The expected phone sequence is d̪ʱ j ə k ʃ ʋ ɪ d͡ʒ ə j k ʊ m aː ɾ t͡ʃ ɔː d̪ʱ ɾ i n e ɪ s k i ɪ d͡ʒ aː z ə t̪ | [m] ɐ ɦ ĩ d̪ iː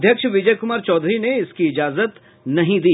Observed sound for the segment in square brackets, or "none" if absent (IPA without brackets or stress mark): n